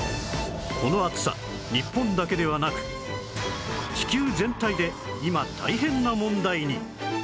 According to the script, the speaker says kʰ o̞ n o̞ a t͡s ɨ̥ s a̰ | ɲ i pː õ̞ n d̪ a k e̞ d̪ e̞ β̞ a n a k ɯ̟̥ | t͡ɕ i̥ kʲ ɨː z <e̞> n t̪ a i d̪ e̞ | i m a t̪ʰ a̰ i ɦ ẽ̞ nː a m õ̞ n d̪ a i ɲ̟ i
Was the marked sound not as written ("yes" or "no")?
yes